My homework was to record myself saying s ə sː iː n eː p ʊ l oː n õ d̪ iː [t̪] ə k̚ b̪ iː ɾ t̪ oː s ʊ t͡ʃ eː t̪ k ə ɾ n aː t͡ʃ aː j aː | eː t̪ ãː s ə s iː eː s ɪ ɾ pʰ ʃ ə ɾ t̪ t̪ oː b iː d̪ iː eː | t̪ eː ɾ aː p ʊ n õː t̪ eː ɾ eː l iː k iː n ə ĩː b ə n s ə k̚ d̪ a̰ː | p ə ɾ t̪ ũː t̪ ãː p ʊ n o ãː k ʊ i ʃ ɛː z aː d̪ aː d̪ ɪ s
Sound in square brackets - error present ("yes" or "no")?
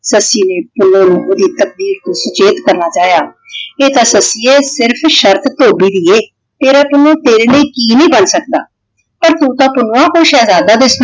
no